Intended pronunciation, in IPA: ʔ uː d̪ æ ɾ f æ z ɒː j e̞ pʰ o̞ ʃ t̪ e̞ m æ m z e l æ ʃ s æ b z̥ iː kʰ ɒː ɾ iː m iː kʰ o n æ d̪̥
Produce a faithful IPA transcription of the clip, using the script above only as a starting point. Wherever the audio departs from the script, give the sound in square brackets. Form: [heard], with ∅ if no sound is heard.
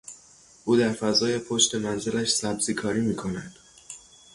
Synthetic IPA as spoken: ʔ uː d̪ æ ɾ f æ z ɒː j e̞ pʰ o̞ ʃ t̪ e̞ m æ [n] z e l æ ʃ s æ b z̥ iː kʰ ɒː ɾ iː m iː kʰ o n æ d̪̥